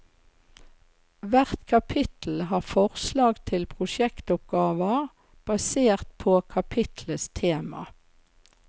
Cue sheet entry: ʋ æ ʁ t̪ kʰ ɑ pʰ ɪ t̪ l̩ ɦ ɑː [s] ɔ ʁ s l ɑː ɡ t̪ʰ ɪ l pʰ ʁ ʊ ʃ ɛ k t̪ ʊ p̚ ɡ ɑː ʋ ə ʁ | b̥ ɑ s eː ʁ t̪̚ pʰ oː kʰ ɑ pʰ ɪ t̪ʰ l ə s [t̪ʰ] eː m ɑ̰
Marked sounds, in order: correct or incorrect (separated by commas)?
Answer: incorrect, correct